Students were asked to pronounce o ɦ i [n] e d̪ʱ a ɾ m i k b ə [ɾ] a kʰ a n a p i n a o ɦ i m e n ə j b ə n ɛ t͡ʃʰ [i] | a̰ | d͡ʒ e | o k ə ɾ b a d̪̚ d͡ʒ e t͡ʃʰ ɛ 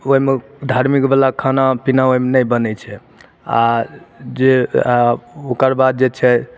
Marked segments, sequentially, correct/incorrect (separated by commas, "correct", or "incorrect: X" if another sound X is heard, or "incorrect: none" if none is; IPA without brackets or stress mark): incorrect: m, incorrect: l, incorrect: ɛ